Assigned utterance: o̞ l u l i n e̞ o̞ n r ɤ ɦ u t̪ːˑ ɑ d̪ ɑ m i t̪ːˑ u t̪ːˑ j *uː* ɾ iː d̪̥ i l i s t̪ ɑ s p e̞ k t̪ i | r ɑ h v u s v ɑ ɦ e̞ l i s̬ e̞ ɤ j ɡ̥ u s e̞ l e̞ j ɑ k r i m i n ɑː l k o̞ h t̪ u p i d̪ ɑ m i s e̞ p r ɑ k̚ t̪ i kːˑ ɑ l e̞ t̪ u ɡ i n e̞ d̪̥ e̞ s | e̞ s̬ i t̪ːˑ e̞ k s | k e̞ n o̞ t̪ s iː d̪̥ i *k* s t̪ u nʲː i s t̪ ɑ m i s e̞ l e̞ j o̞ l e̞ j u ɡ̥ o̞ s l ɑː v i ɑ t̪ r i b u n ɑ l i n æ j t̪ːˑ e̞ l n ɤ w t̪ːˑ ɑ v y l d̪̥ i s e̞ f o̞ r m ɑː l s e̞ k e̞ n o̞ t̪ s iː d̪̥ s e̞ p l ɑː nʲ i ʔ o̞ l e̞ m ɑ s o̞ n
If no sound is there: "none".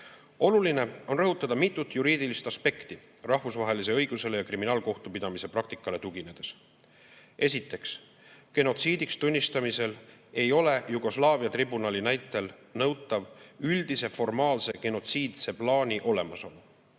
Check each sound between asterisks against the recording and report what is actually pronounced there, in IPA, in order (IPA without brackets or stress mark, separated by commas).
u, k